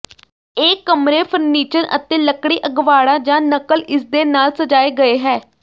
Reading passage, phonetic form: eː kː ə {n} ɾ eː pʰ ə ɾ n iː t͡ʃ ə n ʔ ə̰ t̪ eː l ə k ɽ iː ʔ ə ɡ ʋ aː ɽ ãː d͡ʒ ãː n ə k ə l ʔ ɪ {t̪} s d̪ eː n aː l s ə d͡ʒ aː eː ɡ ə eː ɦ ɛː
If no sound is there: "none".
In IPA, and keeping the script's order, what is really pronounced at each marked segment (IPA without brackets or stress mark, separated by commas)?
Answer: m, none